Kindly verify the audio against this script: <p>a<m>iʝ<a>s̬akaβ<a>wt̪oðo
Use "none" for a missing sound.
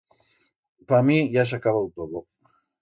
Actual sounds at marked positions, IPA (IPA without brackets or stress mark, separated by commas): p, m, a, a